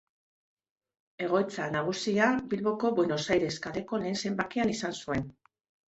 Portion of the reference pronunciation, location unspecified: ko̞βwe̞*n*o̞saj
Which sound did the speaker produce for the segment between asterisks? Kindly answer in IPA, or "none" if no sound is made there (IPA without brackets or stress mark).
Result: n